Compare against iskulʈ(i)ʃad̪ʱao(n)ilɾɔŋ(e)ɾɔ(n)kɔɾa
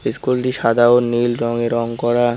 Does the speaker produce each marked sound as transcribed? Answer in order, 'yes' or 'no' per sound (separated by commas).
yes, yes, yes, no